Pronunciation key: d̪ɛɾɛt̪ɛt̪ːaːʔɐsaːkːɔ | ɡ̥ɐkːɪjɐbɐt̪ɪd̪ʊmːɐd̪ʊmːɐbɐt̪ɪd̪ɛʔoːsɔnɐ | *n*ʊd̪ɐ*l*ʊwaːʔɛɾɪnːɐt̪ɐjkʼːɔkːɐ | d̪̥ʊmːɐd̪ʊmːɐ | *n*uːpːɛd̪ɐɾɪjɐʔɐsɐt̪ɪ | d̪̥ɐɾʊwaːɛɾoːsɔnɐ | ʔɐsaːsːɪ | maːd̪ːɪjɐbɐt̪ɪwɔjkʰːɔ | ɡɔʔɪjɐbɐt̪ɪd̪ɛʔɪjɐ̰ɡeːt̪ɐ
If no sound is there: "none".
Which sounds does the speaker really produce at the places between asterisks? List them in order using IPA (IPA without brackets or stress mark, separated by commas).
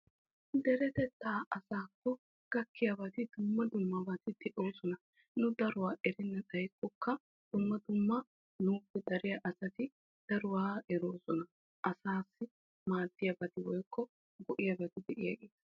n, ɾ, n